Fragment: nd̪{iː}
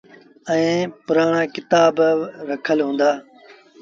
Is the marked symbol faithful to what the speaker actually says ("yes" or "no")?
no